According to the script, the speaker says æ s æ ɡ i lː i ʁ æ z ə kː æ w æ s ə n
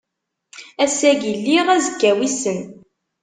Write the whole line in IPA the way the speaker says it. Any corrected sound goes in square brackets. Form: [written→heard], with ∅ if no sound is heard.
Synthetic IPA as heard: æ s æ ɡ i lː i ʁ æ z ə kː æ w [æ→i] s ə n